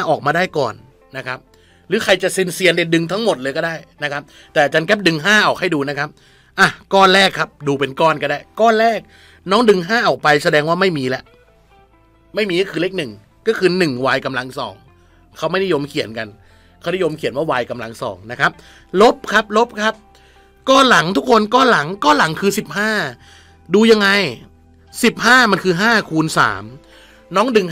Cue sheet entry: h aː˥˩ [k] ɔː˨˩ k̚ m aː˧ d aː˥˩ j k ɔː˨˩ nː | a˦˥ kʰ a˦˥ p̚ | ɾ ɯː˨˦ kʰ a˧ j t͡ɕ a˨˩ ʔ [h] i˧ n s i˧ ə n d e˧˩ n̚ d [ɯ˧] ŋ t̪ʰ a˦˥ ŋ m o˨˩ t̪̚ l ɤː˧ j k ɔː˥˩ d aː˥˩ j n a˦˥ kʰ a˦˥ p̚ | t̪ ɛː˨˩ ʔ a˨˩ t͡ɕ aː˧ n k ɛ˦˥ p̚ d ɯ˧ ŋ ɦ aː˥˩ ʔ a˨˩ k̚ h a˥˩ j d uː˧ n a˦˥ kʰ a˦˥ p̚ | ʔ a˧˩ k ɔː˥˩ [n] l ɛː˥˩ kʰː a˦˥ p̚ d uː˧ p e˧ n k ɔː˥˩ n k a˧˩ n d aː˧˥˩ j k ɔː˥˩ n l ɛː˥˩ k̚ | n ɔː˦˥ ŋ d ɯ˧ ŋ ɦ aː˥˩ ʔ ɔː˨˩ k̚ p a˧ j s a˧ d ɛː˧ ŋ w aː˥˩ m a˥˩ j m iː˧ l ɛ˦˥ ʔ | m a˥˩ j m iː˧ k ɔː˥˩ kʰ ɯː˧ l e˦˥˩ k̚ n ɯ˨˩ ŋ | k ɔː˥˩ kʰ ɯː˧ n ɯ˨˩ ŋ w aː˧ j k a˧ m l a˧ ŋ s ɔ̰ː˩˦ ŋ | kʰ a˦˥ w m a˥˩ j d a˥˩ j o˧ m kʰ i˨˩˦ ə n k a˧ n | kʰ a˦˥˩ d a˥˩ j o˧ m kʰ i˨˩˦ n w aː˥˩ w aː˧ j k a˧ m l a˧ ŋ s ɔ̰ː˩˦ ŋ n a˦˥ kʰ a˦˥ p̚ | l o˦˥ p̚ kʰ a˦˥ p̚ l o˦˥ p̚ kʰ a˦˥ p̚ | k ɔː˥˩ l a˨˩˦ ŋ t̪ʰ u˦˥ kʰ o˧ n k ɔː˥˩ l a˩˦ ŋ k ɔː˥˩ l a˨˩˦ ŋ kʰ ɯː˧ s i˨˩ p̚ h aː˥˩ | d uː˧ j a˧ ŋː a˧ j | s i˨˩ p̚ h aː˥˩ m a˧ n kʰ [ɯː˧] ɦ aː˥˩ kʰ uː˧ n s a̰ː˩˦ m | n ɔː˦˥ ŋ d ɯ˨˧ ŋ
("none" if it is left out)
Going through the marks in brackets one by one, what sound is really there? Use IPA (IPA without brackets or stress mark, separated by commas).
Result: ʔ, s, ɯ˧, n, ɯː˧